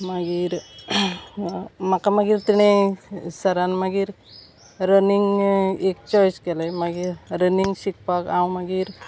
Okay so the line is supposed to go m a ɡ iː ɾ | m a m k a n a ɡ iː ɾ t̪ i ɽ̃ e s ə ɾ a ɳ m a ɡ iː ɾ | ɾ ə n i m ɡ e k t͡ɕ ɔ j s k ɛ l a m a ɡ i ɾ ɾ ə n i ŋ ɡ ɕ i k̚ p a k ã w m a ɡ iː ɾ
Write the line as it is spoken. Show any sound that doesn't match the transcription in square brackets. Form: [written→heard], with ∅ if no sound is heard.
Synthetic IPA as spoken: m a ɡ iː ɾ | m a [m→∅] k a [n→m] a ɡ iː ɾ t̪ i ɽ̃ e s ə ɾ a [ɳ→n] m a ɡ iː ɾ | ɾ ə n i [m→ŋ] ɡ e k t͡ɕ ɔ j s k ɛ l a m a ɡ i ɾ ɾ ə n i ŋ ɡ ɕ i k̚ p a k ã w m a ɡ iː ɾ